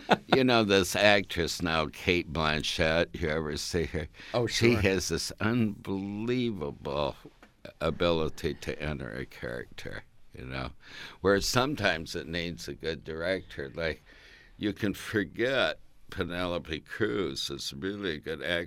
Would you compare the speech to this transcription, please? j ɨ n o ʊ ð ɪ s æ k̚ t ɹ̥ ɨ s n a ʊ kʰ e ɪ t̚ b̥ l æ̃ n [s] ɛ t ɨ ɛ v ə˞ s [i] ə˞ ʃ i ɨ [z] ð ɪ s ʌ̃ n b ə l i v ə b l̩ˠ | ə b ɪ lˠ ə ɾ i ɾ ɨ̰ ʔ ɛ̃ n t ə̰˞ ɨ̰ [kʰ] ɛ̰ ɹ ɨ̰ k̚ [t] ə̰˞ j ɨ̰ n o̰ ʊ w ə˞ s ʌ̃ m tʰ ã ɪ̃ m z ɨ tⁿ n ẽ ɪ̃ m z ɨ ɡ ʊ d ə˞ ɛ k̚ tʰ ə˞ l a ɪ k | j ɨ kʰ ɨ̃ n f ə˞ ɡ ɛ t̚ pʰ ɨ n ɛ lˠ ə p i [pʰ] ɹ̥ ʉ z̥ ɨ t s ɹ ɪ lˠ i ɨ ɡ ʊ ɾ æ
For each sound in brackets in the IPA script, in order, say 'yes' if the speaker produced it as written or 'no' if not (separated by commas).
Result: no, yes, yes, yes, no, no